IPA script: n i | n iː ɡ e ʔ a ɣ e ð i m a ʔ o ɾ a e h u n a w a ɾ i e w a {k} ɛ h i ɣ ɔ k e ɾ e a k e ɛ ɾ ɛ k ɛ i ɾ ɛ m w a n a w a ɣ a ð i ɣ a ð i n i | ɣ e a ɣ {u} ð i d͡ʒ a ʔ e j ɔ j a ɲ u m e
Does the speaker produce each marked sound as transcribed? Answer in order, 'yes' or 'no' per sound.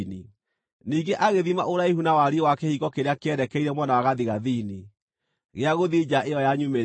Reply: yes, no

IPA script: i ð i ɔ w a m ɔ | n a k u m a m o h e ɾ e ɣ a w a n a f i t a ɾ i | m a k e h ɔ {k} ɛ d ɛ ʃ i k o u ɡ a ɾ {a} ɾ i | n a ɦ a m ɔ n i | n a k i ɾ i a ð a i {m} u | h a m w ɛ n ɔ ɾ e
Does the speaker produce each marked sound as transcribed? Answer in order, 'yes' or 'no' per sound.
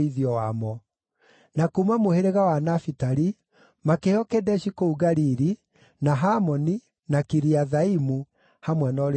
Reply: yes, no, yes

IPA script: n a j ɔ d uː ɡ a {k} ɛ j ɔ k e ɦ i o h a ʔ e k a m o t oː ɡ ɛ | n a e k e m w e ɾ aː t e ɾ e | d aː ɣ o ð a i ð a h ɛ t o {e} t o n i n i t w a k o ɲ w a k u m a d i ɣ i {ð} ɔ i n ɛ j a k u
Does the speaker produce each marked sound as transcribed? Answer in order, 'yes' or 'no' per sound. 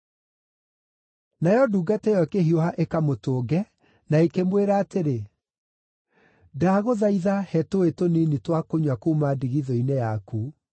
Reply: no, yes, yes

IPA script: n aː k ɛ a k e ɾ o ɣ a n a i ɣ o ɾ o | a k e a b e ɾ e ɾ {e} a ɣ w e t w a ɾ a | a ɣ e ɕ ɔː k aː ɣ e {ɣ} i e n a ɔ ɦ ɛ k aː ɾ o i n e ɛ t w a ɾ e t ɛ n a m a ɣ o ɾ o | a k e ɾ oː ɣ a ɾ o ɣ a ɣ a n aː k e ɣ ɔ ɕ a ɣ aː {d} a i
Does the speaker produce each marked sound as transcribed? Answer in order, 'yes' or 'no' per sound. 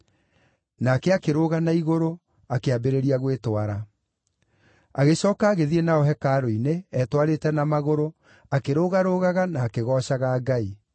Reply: no, no, no

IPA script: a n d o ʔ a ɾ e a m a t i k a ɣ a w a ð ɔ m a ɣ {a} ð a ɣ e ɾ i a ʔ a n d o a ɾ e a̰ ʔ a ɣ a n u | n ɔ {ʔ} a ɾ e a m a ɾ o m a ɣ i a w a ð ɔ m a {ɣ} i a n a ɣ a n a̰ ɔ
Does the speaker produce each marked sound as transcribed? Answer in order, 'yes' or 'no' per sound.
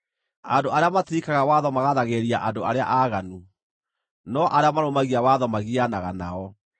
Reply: yes, yes, yes

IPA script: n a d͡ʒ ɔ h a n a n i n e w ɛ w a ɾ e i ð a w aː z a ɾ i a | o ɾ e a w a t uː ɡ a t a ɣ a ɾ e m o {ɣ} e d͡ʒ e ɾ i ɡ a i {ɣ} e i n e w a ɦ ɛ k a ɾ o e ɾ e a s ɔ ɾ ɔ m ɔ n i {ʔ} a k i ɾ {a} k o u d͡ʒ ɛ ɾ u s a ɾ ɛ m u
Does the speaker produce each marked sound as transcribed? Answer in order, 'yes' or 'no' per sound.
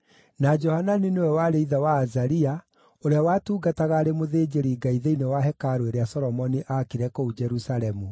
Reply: no, no, yes, no

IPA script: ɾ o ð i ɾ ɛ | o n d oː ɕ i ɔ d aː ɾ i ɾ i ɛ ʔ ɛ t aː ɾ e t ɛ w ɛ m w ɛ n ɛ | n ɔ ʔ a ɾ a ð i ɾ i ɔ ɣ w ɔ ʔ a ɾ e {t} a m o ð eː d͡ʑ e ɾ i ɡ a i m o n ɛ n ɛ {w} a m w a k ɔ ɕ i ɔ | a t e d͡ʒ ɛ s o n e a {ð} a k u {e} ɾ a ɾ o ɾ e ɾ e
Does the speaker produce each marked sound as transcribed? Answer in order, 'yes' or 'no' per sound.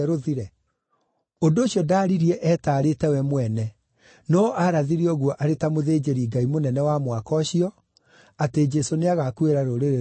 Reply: yes, yes, no, yes

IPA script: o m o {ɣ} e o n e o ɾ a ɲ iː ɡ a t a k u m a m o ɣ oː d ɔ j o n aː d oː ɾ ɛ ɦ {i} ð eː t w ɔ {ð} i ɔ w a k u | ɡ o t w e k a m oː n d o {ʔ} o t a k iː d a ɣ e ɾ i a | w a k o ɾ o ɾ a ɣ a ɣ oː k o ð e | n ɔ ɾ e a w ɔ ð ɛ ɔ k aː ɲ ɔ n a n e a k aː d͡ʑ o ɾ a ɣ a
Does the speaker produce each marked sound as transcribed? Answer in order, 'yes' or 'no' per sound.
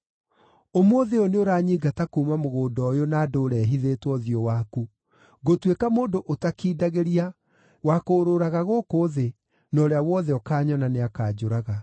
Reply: no, yes, yes, yes

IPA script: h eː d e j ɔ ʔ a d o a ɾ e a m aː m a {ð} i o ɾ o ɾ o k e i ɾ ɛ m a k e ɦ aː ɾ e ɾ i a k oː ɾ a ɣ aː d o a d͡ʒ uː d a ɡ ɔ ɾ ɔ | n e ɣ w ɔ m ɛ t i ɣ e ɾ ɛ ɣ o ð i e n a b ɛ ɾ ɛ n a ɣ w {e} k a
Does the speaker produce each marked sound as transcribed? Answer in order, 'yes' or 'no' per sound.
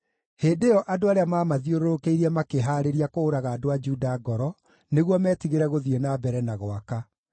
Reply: yes, no

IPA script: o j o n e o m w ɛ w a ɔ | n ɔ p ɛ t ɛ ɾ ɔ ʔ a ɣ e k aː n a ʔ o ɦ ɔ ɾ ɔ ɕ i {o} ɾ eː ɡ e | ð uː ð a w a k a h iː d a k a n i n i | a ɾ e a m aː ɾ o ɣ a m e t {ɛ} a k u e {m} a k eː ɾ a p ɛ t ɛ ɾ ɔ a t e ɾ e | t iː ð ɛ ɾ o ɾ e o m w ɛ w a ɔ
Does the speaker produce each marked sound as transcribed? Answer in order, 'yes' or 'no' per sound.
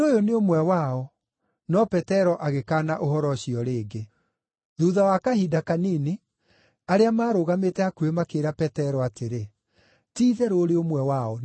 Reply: no, yes, yes

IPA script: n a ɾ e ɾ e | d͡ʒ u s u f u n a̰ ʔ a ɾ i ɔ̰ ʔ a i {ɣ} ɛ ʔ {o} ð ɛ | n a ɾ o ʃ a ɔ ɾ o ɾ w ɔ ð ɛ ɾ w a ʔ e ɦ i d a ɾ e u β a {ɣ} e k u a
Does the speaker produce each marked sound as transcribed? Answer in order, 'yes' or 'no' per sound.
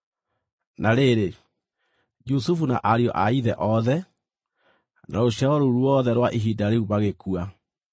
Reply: no, no, yes

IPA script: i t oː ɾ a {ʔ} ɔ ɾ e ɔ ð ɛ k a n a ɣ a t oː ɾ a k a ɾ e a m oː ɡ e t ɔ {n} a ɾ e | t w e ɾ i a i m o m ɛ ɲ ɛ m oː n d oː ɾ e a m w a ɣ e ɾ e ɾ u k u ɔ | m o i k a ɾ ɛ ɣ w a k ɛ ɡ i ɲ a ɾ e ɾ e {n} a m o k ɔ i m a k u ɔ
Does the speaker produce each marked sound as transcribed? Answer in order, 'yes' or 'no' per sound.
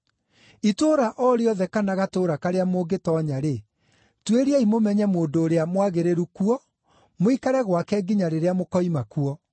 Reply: yes, no, no

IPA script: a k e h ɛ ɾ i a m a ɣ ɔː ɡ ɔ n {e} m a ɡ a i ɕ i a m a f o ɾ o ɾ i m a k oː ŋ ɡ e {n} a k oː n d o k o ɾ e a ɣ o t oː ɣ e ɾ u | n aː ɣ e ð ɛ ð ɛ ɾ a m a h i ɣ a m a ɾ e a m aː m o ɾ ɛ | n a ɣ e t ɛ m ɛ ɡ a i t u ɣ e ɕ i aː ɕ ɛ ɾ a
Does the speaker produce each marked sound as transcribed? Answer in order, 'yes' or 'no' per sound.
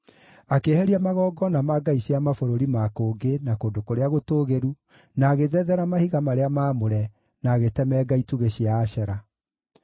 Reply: no, yes

